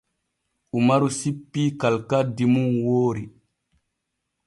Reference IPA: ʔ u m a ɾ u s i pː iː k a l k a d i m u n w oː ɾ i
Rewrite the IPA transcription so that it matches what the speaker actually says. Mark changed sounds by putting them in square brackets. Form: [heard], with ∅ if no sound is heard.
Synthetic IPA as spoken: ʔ u m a ɾ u s i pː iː k a l k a d i m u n w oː ɾ i

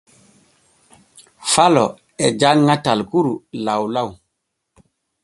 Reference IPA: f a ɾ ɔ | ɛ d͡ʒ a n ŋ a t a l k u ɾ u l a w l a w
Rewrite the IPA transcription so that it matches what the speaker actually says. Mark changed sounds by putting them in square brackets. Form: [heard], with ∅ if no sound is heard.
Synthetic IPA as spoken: f a [l] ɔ | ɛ d͡ʒ a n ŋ a t a l k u ɾ u l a w l a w

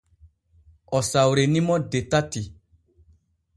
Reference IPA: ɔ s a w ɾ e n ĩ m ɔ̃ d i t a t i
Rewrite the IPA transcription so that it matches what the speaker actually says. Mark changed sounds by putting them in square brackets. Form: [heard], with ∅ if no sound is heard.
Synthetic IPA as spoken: ɔ s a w ɾ e n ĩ m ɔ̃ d [e] t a t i

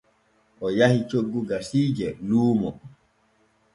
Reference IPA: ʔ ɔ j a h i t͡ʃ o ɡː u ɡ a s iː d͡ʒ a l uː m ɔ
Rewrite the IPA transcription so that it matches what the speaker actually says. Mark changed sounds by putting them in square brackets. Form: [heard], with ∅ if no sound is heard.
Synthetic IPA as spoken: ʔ ɔ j a h i t͡ʃ o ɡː u ɡ a s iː d͡ʒ [ɛ] l uː m ɔ

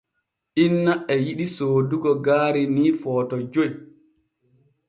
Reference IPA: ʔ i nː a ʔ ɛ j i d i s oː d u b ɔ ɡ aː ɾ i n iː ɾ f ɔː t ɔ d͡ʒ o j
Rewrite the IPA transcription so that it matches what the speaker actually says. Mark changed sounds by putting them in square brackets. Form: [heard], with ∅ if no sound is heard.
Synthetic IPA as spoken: ʔ i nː a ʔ ɛ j i [ɗ] i s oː d u [ɡ] ɔ ɡ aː ɾ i n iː [∅] f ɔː t ɔ d͡ʒ o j

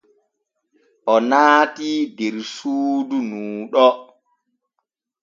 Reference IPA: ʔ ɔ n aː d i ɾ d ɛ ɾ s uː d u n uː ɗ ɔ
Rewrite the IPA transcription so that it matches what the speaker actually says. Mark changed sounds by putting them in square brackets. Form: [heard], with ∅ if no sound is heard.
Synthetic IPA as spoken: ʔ ɔ n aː [t] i [∅] d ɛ ɾ s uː d u n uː ɗ ɔ

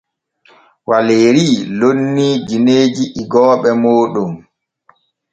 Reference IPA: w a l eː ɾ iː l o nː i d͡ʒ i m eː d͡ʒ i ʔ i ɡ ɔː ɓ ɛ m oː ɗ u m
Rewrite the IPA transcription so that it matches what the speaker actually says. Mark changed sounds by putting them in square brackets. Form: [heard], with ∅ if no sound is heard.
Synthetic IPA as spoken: w a l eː ɾ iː l o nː i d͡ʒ i [n] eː d͡ʒ i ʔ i ɡ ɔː ɓ ɛ m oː ɗ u m

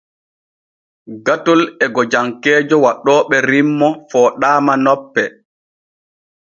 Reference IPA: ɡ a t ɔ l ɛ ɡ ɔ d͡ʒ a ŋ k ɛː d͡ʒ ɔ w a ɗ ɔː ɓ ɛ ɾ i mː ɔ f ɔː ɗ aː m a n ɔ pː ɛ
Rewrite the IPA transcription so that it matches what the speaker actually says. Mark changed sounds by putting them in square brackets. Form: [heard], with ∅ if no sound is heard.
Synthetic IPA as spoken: ɡ a t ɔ l ɛ ɡ ɔ d͡ʒ a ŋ k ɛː d͡ʒ ɔ w a ɗ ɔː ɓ ɛ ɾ i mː ɔ f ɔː ɗ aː m a n ɔ pː ɛ

